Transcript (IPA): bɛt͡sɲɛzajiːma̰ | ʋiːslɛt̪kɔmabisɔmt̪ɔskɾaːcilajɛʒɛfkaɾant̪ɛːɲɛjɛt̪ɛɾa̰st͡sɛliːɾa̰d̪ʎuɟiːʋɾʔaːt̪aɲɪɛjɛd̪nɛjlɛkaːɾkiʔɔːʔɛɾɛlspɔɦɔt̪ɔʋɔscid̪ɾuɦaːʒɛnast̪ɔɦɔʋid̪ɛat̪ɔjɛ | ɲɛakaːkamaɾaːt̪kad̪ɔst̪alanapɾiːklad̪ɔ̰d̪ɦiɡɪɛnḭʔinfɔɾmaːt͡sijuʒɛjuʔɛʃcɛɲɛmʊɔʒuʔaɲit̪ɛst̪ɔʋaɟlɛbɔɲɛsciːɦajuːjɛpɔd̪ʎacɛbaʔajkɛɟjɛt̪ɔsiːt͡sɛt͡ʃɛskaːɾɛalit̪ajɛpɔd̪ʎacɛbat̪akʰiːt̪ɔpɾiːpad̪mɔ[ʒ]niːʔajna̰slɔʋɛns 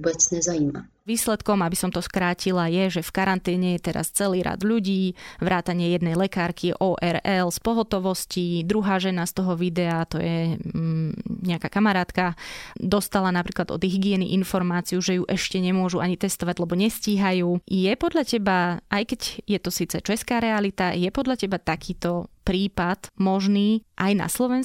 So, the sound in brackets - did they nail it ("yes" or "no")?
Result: yes